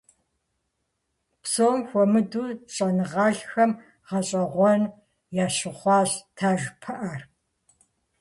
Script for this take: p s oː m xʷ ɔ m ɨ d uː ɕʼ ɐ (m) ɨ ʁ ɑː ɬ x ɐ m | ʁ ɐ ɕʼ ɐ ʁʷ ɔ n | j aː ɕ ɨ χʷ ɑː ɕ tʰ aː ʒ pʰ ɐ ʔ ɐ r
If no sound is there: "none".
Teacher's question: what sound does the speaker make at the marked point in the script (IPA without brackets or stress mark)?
n